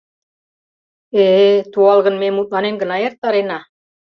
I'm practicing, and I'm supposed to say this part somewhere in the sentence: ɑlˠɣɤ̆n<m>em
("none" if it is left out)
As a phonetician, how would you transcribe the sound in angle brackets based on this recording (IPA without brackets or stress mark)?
m